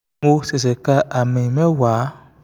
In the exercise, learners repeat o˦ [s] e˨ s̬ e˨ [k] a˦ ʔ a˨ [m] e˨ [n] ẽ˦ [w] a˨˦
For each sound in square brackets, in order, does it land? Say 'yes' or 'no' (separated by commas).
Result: yes, yes, yes, no, yes